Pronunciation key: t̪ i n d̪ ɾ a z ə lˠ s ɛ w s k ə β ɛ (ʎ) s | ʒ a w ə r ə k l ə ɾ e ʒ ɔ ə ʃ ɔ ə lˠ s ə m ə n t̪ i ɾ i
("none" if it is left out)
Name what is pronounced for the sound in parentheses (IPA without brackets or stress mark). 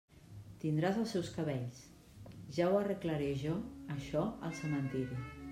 ʎ